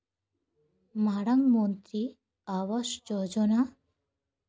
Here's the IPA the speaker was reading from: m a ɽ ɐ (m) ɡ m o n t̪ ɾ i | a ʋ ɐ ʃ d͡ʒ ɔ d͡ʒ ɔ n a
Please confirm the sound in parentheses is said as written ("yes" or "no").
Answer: no